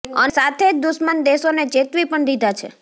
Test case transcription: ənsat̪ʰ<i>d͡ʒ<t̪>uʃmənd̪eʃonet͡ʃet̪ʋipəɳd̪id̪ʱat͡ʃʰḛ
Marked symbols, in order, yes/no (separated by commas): no, no